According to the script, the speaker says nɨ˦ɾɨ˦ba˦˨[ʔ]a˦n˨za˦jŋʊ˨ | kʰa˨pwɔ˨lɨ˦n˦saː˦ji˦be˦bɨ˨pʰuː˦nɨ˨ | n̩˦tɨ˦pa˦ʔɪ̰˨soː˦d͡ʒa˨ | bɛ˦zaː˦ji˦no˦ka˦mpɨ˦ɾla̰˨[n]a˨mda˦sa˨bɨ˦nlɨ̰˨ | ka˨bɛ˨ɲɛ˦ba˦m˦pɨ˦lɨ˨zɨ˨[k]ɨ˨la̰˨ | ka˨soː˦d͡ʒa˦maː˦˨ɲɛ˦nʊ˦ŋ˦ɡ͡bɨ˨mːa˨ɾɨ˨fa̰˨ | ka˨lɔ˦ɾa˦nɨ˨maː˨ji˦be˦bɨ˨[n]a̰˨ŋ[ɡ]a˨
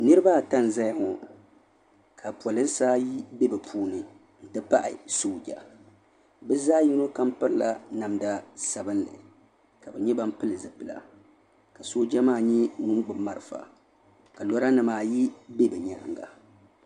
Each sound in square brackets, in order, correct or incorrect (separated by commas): incorrect, correct, incorrect, incorrect, correct